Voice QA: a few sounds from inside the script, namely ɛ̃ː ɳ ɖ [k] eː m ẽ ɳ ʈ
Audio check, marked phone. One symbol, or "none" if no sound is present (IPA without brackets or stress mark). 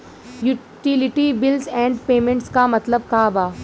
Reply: p